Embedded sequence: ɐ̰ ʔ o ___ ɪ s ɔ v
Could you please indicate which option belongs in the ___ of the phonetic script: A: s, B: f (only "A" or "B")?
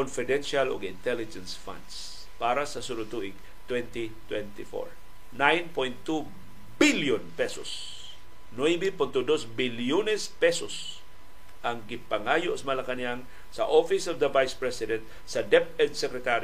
B